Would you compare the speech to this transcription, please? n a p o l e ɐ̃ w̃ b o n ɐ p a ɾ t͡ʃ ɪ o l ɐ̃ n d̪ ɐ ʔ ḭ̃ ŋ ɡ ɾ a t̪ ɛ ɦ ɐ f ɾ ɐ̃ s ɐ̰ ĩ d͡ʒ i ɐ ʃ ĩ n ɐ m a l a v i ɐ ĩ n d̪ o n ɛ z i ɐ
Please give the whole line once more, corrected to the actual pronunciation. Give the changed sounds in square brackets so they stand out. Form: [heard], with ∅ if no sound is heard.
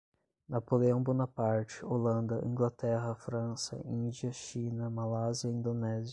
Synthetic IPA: n a p o l e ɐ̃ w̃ b o n ɐ p a ɾ t͡ʃ ɪ o l ɐ̃ n d̪ ɐ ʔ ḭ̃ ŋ ɡ [l] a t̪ ɛ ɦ ɐ f ɾ ɐ̃ s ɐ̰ ĩ d͡ʒ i ɐ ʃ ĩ n ɐ m a l a [z] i ɐ ĩ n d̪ o n ɛ z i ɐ